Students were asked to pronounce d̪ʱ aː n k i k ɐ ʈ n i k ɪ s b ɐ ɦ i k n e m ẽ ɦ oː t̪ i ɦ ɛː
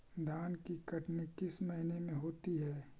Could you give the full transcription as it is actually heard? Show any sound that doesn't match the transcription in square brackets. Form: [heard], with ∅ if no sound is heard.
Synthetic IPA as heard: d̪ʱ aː n k i k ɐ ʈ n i k ɪ s [m] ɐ ɦ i [∅] n e m ẽ ɦ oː t̪ i ɦ ɛː